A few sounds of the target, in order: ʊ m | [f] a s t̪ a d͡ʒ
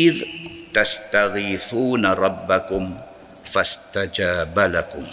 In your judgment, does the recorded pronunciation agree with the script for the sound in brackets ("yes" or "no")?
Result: yes